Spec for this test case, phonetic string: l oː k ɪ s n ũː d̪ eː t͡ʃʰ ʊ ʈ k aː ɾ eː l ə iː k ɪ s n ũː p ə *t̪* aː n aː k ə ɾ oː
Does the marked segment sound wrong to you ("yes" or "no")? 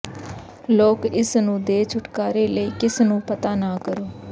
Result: no